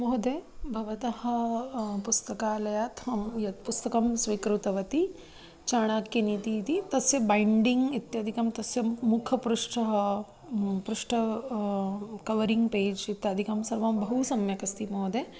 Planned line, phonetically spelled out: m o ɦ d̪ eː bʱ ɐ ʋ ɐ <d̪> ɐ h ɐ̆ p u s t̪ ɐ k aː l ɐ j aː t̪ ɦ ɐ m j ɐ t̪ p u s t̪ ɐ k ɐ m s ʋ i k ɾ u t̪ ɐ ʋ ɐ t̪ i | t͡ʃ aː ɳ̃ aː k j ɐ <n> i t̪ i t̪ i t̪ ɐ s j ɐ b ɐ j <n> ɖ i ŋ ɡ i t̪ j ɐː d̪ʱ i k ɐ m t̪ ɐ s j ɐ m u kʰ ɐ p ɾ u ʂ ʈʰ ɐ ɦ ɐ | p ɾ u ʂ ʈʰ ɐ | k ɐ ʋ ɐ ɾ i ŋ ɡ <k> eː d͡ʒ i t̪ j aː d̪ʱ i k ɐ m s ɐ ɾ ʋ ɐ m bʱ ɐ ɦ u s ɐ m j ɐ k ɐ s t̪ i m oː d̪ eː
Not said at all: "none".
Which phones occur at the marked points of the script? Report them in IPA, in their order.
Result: t̪, n, ɳ, p

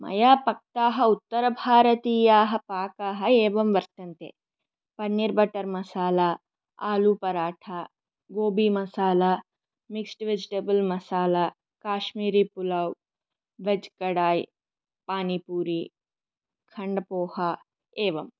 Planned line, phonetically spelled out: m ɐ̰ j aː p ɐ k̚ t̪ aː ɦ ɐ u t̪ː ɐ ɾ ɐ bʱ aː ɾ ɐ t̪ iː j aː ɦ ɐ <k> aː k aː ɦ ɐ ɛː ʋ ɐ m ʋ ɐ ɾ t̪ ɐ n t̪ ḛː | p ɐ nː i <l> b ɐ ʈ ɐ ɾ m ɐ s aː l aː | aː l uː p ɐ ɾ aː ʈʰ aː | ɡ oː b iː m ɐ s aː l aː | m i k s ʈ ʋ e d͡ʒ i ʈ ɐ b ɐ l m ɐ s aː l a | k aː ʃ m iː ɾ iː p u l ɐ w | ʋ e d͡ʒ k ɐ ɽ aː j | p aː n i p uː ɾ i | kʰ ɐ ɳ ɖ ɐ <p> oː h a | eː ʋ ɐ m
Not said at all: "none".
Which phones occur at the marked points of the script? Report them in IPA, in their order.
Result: p, ɾ, p

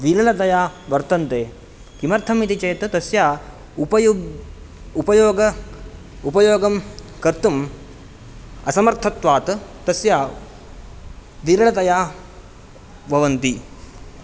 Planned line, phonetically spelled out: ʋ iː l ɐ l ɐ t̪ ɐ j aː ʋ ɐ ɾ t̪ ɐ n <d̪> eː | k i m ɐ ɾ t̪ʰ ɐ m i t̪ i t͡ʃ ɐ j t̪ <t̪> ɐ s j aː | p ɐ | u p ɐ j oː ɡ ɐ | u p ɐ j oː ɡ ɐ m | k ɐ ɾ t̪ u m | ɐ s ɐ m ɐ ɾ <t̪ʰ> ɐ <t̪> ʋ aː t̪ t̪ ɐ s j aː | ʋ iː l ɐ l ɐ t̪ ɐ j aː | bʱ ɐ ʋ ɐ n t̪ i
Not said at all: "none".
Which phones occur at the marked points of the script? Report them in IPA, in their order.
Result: t̪, t̪, t̪ʰ, t̪

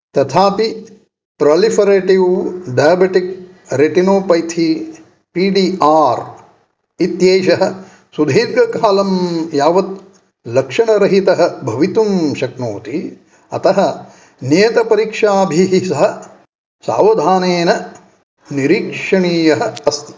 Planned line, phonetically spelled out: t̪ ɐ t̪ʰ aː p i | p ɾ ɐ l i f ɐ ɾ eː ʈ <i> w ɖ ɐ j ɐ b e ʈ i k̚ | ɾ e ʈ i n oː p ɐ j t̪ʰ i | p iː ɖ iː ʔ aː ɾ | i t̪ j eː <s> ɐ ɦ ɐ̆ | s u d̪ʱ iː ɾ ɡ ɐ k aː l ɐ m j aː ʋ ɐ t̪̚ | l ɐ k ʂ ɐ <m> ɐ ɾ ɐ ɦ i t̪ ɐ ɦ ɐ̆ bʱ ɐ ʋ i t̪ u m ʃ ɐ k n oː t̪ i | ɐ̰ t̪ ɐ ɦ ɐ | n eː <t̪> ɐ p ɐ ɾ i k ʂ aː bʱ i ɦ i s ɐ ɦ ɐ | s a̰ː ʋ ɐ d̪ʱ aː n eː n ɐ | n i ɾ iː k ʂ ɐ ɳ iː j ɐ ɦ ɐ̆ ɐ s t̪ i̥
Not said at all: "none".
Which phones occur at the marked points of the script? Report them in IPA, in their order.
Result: i, ʃ, ɳ, t̪

